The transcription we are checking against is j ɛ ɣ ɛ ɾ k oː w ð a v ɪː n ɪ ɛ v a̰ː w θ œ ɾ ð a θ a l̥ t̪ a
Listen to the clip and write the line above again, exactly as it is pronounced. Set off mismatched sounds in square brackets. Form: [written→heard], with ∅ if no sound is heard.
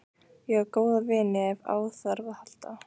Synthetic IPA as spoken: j ɛ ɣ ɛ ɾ k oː w ð a v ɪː n ɪ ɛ v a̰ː w θ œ ɾ [ð→v] a [θ→h] a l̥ t̪ a